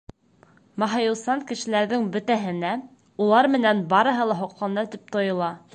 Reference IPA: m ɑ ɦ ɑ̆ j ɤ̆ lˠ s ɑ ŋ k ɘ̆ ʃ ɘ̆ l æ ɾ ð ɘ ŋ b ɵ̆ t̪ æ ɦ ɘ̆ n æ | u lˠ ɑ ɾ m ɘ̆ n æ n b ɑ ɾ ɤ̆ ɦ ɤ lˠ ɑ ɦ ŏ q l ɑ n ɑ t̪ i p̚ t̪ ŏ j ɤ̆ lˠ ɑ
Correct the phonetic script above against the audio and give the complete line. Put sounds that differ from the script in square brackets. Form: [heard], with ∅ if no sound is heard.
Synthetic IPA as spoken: m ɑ ɦ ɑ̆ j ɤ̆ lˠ s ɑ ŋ k ɘ̆ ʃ ɘ̆ l æ ɾ ð ɘ ŋ b ɵ̆ t̪ æ ɦ ɘ̆ n æ | u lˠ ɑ ɾ m ɘ̆ n æ n b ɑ ɾ ɤ̆ ɦ ɤ lˠ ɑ ɦ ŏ q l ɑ n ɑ t̪ i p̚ t̪ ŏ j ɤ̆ lˠ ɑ